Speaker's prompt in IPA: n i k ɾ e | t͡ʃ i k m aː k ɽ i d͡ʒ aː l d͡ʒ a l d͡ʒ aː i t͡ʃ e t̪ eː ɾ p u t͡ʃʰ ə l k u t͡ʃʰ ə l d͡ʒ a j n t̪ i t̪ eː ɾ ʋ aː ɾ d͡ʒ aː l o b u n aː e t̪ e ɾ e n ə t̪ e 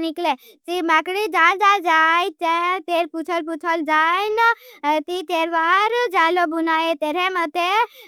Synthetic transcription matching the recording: n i k l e | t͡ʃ i m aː k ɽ i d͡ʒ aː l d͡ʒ a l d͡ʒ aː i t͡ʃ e t̪ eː ɾ p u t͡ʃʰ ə l p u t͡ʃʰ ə l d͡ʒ a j n t̪ i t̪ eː ɾ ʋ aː ɾ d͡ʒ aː l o b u n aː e t̪ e ɾ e m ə t̪ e

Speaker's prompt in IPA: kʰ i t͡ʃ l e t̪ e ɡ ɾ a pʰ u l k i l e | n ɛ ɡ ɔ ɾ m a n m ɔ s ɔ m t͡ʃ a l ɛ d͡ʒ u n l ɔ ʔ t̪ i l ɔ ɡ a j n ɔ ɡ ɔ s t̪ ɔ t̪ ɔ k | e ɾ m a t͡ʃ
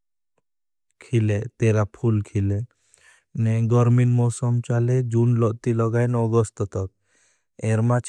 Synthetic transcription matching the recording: kʰ i l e t̪ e ɾ a pʰ u l kʰ i l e | n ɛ ɡ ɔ ɾ m i n m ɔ s ɔ m t͡ʃ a l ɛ d͡ʒ u n l ɔ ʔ t̪ i l ɔ ɡ a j n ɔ ɡ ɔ s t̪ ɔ t̪ ɔ k | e ɾ m a t͡ʃ

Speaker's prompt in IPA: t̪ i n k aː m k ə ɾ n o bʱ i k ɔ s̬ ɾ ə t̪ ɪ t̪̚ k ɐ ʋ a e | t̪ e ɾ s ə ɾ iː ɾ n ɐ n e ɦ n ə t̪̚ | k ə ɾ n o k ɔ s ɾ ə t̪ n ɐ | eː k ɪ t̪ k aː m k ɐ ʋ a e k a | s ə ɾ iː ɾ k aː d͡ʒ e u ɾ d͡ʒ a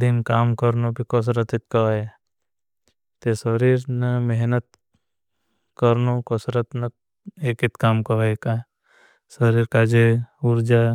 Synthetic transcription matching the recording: d̪ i n k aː m k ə ɾ n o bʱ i k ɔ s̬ ɾ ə t̪ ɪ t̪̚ k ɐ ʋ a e | t̪ e s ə ɾ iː ɾ n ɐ m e ɦ n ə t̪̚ | k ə ɾ n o k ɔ s ɾ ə t̪ n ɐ | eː k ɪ t̪ k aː m k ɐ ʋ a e k a | s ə ɾ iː ɾ k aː d͡ʒ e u ɾ d͡ʒ a

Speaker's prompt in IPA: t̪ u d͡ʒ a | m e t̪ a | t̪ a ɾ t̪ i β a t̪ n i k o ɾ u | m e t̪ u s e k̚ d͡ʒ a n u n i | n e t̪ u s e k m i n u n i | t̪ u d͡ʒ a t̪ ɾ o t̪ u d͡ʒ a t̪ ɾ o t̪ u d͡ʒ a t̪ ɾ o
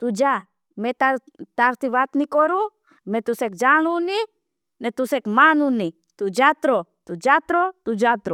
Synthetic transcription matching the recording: t̪ u d͡ʒ a | m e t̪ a | t̪ a ɾ t̪ i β a t̪ n i k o ɾ u | m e t̪ u s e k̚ d͡ʒ a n u n i | n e t̪ u s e k m a n u n i | t̪ u d͡ʒ a t̪ ɾ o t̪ u d͡ʒ a t̪ ɾ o t̪ u d͡ʒ a t̪ ɾ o

